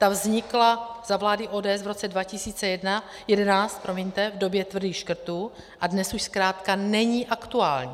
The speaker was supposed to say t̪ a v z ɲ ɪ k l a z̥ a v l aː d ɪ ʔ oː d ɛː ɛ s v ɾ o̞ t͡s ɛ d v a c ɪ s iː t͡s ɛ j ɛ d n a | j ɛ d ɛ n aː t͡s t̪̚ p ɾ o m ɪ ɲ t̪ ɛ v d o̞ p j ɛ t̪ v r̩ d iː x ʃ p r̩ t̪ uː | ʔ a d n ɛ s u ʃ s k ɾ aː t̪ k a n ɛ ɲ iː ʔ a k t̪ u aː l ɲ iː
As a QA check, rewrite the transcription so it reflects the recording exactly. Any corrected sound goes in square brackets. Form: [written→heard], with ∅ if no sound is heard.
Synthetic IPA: t̪ a v z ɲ ɪ k l a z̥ a v l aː d ɪ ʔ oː d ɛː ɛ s v ɾ o̞ t͡s ɛ d v a c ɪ s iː t͡s ɛ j ɛ d n a | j ɛ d ɛ n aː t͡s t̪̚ p ɾ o m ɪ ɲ t̪ ɛ v d o̞ [p→b] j ɛ t̪ v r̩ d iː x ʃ [p→k] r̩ t̪ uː | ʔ a d n ɛ s u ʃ s k ɾ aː t̪ k a n ɛ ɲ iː ʔ a k t̪ u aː l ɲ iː